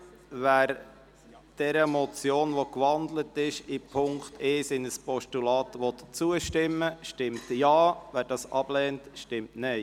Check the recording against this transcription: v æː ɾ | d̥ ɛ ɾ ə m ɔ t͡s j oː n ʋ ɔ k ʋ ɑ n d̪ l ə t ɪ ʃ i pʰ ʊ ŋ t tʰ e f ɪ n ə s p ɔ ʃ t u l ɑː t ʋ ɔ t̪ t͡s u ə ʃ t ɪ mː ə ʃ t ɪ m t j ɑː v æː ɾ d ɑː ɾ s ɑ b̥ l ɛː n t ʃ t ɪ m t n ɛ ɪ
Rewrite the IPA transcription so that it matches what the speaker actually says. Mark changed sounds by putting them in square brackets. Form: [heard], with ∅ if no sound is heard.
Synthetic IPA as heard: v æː ɾ | d̥ ɛ ɾ ə m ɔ t͡s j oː n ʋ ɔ k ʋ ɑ n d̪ l ə t ɪ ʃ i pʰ ʊ ŋ [k] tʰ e [s] ɪ n ə s p ɔ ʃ t u l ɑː t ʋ ɔ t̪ t͡s u ə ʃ t ɪ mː ə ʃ t ɪ m t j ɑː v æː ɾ d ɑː [∅] s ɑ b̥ l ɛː n t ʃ t ɪ m t n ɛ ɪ